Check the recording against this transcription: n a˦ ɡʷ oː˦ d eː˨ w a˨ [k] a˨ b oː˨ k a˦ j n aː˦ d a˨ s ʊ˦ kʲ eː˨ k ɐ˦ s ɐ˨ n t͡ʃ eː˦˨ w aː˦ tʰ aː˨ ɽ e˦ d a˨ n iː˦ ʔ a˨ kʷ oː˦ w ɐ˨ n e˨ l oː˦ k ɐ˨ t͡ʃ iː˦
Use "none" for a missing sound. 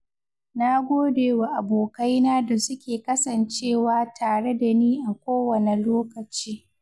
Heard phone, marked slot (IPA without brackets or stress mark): ʔ